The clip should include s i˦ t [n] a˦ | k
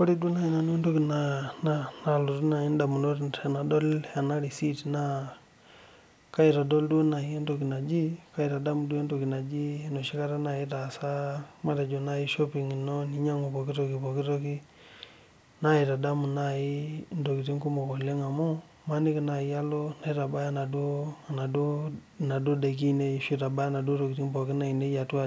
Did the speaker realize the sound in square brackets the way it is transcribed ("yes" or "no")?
yes